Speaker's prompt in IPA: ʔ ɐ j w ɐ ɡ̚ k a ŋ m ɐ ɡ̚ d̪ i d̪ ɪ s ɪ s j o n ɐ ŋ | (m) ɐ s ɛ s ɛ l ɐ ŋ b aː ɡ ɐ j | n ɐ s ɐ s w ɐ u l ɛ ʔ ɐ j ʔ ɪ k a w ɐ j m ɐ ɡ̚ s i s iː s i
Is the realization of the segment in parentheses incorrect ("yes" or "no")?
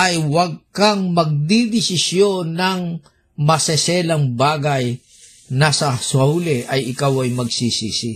no